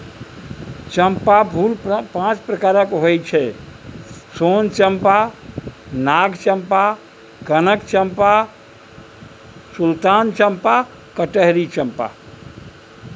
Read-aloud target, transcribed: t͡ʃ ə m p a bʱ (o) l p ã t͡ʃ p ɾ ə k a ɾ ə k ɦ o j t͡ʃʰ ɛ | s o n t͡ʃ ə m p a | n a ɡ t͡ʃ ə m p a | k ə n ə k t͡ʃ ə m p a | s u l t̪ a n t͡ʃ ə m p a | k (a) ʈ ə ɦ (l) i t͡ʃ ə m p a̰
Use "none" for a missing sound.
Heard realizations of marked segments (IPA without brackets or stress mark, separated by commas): u, ə, ɾ